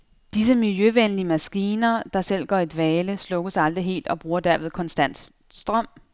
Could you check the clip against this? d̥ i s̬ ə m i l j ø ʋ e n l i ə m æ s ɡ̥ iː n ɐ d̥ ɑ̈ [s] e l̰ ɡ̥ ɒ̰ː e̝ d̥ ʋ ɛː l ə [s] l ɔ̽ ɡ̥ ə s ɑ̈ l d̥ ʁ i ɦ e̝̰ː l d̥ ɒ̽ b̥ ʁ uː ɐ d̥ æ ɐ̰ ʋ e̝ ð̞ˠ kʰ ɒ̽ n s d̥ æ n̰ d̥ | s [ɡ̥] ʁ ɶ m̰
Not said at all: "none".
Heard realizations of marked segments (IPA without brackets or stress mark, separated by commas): s, s, d̥